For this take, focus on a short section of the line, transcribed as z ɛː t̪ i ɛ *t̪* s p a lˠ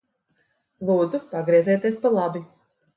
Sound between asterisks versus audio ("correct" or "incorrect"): incorrect